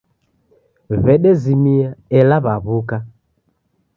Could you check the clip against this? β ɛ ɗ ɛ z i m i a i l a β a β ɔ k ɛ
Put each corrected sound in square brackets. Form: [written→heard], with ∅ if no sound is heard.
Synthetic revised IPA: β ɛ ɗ ɛ z i m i a [i→ɛ] l a β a β [ɔ→u] k [ɛ→a]